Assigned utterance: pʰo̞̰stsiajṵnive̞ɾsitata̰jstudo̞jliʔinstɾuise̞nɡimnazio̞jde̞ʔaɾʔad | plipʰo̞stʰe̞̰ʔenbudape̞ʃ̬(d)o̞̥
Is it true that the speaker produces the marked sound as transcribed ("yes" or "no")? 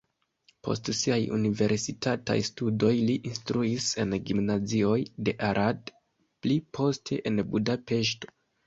no